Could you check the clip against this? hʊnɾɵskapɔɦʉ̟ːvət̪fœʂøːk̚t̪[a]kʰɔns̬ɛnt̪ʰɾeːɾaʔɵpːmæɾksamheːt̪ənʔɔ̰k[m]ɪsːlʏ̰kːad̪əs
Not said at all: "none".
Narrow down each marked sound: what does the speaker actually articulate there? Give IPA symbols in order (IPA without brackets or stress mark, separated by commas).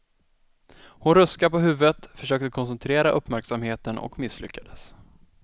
ə, m